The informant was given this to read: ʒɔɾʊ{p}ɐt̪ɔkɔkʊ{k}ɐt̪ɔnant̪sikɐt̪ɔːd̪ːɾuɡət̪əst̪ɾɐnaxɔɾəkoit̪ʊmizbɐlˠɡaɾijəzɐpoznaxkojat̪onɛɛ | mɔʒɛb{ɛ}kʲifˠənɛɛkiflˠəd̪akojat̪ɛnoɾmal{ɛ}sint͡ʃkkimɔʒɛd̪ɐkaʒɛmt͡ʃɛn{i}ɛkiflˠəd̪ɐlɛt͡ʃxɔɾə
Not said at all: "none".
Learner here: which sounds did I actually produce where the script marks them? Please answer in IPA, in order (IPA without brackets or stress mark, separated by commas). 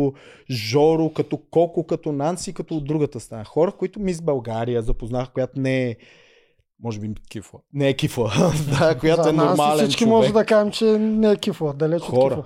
k, k, i, ɛ, ɛ